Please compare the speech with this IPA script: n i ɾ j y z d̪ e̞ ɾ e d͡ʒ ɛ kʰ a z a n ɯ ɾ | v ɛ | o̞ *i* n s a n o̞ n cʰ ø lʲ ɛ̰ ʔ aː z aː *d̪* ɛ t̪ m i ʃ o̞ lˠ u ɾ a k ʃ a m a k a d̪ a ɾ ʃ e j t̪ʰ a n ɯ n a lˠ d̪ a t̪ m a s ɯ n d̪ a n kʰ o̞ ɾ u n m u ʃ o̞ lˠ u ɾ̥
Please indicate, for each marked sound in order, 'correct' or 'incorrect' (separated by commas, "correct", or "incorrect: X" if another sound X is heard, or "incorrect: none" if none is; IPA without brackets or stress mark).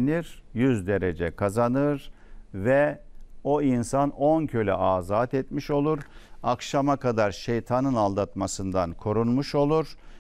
correct, incorrect: t̪